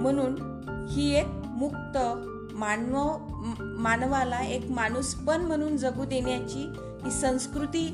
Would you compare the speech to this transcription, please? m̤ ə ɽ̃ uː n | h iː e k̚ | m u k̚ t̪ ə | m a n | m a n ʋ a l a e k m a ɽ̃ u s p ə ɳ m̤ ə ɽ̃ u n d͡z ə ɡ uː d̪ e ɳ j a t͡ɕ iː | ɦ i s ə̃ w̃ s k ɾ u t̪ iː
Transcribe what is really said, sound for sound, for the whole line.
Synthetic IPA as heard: m̤ ə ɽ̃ uː n | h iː e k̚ | m u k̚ t̪ ə | m a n | m a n ʋ a l a e k m a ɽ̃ u s p ə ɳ m̤ ə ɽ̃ uː n d͡z ə ɡ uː d̪ e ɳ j a t͡ɕ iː | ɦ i s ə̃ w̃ s k ɾ u t̪ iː